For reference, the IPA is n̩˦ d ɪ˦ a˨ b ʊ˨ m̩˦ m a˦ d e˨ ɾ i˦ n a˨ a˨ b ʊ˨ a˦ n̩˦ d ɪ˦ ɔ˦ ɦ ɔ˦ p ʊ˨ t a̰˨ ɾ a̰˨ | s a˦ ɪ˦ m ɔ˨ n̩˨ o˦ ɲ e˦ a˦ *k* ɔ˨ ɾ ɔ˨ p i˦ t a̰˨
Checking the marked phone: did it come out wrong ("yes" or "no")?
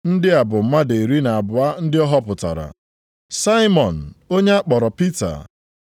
yes